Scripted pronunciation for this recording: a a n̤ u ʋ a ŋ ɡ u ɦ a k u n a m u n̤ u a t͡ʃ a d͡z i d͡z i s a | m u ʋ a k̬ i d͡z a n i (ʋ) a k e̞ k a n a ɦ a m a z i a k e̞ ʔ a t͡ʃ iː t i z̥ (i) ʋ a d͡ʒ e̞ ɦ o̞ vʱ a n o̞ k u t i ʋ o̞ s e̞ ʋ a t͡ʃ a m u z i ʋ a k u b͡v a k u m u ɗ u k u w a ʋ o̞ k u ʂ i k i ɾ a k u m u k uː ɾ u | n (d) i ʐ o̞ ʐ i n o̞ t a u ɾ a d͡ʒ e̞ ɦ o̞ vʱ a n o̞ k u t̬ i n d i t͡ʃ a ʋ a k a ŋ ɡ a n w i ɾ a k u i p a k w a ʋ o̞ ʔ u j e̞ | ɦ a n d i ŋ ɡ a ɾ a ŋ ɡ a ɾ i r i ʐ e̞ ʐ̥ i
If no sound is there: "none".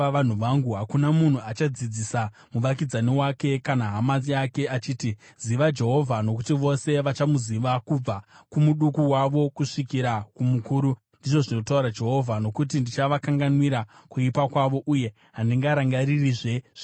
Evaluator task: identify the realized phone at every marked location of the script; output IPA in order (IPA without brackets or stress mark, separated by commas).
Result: w, i, d